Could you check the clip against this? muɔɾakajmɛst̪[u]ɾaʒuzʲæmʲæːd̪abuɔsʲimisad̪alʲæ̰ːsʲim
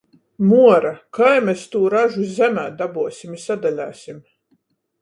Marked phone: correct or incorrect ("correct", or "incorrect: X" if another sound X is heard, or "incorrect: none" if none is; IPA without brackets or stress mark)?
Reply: incorrect: uː